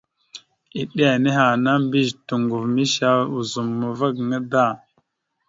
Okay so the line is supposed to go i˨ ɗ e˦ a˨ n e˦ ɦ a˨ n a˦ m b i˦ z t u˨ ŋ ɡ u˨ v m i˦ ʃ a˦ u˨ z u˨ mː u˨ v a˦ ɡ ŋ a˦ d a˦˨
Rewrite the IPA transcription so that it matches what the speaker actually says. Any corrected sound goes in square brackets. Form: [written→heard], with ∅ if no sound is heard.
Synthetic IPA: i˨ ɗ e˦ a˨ n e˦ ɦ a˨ n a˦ m b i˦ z t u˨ ŋ ɡ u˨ v m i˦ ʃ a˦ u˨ z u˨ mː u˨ v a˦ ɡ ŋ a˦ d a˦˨